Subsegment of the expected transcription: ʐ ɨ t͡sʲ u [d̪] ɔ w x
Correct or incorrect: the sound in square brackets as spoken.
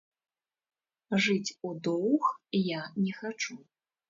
correct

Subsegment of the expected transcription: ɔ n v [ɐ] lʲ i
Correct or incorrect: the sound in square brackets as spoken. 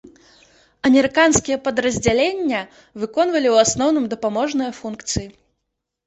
correct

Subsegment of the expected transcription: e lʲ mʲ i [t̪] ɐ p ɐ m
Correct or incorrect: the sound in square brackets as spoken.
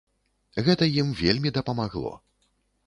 incorrect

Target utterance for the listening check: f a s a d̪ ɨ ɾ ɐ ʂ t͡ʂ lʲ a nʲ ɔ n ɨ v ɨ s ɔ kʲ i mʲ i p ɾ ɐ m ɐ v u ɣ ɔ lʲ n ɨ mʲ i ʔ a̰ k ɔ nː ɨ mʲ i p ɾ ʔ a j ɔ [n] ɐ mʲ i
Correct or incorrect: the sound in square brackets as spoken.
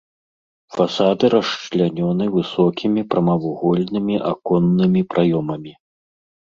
incorrect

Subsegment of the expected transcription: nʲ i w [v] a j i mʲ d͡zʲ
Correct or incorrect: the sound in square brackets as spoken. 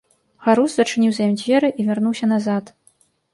incorrect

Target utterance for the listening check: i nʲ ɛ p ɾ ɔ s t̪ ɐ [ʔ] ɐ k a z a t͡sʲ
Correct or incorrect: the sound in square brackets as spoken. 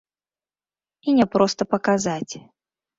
incorrect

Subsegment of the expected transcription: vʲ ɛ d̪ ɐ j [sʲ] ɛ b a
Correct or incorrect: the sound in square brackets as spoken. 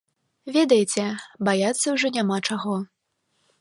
incorrect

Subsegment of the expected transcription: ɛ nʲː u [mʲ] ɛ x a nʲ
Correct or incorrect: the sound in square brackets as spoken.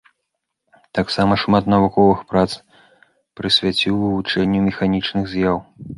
correct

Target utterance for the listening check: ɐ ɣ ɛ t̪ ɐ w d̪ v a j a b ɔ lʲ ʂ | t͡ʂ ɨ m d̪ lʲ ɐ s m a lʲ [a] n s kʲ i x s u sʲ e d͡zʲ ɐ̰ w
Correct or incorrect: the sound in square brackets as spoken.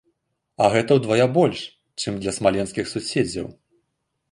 incorrect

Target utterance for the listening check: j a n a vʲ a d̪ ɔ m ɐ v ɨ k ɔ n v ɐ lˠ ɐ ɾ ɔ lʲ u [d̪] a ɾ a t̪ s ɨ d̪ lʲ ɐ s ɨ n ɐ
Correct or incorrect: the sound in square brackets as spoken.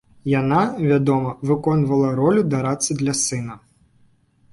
correct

